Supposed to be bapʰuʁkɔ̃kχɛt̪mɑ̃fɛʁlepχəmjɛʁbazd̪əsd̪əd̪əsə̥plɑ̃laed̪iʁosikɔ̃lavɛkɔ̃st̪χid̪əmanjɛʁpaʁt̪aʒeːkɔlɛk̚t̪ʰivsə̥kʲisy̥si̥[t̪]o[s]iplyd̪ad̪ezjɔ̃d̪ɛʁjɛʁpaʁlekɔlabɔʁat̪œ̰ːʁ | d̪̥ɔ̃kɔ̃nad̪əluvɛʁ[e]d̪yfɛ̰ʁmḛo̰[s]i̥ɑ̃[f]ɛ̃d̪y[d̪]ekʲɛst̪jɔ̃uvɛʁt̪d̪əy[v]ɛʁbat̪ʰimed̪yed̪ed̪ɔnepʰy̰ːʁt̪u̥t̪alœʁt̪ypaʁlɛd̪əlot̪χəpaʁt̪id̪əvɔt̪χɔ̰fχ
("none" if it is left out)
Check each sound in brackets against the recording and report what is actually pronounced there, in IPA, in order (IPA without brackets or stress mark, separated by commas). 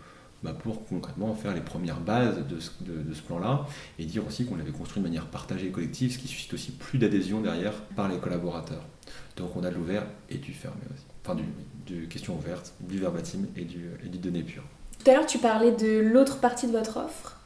t̪, s, e, s, f, d̪, v